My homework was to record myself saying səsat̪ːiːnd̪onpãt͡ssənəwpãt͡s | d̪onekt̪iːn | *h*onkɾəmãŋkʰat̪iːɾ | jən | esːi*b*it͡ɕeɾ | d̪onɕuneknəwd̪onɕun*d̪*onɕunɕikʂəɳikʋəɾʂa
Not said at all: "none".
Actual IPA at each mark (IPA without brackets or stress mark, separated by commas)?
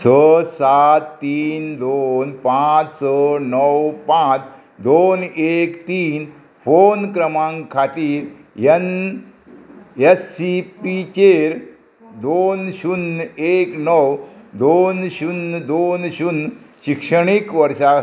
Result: f, p, d̪